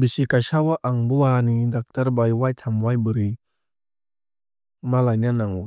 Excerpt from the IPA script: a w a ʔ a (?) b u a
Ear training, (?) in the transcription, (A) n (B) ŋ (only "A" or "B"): B